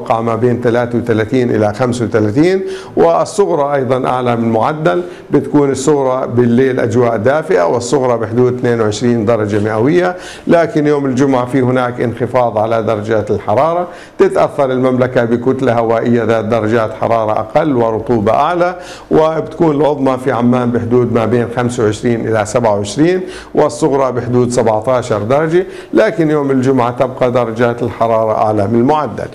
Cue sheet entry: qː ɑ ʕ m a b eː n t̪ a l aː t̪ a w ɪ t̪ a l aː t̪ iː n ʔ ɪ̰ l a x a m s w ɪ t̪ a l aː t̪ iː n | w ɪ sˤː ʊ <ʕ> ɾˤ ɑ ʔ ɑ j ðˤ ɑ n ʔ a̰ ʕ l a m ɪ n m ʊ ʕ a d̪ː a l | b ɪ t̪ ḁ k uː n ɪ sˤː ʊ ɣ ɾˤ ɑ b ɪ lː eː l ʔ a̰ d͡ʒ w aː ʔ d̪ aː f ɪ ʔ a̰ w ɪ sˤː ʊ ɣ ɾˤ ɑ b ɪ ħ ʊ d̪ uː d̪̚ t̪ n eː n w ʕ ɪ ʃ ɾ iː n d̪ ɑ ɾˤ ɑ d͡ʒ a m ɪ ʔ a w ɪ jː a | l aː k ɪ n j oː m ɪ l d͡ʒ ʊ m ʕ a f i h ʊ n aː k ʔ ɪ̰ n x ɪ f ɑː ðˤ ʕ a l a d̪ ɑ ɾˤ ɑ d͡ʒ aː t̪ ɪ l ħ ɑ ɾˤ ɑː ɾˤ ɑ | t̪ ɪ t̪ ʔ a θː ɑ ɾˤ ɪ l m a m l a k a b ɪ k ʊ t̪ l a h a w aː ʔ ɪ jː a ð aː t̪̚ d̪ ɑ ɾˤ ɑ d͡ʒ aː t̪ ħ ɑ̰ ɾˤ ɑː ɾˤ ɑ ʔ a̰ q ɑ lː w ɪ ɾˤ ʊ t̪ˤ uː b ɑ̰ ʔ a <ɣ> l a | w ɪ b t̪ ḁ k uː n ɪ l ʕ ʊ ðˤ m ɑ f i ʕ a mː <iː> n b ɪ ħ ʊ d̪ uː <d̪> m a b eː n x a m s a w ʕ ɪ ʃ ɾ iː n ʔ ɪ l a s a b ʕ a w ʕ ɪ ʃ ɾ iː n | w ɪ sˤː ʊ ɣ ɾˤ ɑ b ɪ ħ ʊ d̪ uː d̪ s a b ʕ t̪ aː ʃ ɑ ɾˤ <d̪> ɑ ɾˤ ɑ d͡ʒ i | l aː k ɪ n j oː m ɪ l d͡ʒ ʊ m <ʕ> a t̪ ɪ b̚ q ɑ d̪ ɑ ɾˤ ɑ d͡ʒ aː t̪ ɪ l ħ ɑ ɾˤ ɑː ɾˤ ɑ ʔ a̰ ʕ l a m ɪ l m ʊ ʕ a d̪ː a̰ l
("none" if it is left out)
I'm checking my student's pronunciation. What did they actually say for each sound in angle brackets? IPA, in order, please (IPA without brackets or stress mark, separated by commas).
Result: ɣ, ʕ, aː, d̪, d̪, ʕ